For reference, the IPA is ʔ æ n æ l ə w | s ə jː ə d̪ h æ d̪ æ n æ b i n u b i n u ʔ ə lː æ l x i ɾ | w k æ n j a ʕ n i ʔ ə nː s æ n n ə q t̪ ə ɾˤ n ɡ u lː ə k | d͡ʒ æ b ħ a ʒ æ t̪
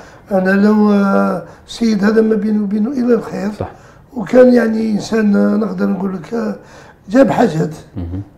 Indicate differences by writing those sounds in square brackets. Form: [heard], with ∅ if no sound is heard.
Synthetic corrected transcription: ʔ æ n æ l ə w | s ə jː ə d̪ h æ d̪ æ [m] æ b i n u b i n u ʔ ə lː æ l x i ɾ | w k æ n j a ʕ n i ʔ ə [n] s æ n n ə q [d̪] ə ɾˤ n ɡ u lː ə k | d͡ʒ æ b ħ a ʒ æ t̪